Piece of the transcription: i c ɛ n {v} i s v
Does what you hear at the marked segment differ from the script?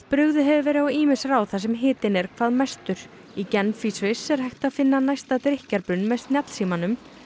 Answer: yes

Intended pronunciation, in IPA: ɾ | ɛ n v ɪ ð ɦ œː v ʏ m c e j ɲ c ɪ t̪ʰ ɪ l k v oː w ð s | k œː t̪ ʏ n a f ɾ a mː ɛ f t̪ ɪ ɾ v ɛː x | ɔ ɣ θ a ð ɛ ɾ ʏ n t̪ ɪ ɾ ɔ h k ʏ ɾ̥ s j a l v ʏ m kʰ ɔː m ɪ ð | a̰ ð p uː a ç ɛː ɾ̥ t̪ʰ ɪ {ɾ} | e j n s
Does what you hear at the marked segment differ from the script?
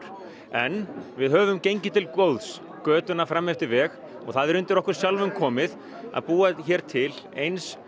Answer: yes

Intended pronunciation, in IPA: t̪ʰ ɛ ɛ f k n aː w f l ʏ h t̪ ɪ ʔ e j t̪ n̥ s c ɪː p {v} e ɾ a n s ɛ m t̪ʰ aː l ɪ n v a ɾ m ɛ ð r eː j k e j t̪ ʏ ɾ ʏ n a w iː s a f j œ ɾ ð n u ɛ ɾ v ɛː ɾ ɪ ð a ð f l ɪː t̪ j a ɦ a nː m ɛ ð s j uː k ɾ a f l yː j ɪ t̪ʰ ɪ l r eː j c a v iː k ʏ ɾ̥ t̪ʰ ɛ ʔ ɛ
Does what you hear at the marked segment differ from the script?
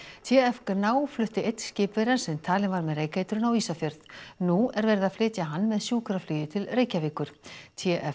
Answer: no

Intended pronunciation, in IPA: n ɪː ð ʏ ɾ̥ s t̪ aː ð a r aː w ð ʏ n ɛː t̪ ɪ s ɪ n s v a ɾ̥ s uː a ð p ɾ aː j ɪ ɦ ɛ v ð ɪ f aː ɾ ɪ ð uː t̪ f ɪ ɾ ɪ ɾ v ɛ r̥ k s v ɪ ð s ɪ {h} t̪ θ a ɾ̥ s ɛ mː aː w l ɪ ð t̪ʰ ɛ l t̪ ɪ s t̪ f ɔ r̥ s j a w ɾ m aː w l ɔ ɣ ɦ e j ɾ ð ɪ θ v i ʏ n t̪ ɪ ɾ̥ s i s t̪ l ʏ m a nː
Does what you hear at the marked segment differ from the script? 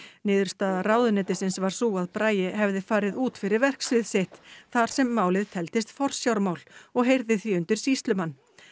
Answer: no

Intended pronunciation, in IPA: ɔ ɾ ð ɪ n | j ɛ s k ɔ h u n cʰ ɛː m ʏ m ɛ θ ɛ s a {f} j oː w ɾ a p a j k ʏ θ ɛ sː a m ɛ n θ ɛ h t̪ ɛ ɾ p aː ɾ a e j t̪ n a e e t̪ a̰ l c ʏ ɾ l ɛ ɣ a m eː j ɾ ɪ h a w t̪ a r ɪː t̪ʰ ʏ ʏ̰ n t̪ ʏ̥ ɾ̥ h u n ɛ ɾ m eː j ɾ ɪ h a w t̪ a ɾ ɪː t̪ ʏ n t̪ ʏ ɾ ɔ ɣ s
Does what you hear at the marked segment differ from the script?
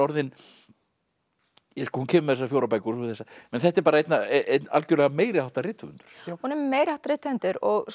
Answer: no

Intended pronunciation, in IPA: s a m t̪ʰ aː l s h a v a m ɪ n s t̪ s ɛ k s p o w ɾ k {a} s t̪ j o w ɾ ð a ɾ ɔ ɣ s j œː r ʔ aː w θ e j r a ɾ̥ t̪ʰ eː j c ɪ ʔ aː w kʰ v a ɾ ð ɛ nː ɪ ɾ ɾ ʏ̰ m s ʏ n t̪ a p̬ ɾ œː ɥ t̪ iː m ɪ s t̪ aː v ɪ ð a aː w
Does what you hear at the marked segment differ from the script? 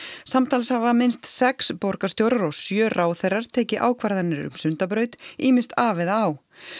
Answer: no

